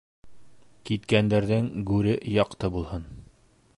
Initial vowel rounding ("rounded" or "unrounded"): unrounded